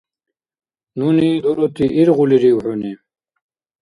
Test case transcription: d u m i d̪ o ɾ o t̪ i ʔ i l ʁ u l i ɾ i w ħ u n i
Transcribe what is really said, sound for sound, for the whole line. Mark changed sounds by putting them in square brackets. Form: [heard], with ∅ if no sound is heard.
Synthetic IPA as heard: [n] u [n] i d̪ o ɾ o t̪ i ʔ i [ɾ] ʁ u l i ɾ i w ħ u n i